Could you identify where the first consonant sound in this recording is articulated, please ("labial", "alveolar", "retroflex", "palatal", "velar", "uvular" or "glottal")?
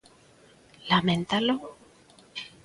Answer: alveolar